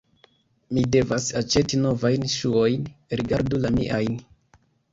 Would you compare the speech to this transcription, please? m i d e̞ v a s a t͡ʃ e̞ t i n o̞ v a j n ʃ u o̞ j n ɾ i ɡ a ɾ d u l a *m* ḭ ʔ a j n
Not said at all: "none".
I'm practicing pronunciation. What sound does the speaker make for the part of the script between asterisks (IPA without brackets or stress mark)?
m